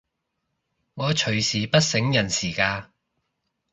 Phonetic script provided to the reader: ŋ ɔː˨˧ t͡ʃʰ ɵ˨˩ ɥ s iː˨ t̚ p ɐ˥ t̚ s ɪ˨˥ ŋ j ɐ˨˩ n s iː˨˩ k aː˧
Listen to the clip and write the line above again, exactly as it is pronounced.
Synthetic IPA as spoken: ŋ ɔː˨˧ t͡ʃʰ ɵ˨˩ ɥ s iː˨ p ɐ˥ t̚ s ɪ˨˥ ŋ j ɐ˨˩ n s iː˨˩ k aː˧